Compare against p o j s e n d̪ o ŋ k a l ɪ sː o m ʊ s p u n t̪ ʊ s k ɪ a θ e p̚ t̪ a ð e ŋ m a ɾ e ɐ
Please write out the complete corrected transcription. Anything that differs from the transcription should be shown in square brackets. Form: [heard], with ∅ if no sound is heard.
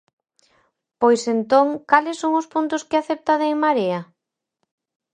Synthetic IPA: p o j s e n [t̪] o ŋ k a l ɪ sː o [ŋ] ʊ s p u n t̪ ʊ s k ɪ a θ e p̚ t̪ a ð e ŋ m a ɾ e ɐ